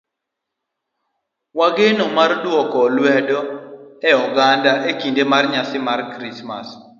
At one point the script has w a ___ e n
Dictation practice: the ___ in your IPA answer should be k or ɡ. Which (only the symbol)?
ɡ